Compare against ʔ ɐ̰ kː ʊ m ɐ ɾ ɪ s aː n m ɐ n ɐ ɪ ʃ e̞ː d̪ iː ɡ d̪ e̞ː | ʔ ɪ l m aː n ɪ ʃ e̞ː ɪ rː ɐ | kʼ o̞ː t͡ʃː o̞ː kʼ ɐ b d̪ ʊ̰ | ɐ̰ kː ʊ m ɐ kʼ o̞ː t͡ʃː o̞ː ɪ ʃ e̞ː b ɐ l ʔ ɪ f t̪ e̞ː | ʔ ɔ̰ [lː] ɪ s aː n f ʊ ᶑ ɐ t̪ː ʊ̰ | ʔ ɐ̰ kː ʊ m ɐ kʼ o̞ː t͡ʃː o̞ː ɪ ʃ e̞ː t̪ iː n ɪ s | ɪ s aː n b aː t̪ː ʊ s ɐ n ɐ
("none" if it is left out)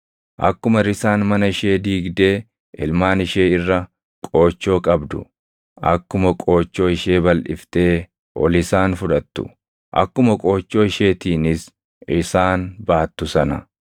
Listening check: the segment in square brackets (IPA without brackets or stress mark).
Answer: l